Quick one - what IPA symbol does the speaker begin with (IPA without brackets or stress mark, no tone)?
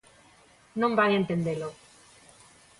n